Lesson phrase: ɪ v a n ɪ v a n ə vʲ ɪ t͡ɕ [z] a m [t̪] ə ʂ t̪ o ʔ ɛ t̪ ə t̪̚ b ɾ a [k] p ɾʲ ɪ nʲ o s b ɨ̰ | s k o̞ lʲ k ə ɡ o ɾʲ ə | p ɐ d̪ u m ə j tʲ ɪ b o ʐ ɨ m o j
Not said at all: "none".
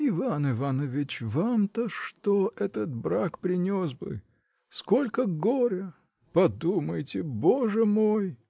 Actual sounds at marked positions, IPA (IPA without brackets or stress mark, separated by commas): v, t̪, k